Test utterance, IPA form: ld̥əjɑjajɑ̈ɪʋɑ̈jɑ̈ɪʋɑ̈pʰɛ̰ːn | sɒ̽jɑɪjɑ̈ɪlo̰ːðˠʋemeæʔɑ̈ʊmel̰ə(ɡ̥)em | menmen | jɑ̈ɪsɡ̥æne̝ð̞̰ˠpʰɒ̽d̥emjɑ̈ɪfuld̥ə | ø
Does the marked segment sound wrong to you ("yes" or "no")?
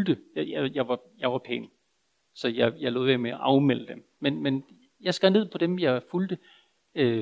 yes